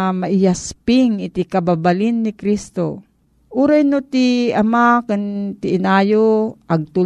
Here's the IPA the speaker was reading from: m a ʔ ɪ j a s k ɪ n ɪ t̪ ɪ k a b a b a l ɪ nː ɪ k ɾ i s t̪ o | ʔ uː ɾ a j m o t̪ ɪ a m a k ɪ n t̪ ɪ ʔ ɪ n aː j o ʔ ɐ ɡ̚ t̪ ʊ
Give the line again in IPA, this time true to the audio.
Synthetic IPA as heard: m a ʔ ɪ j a s p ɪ ŋ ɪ t̪ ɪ k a b a b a l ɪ nː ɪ k ɾ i s t̪ o | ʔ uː ɾ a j n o t̪ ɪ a m a k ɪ n t̪ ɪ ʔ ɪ n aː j o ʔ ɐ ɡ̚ t̪ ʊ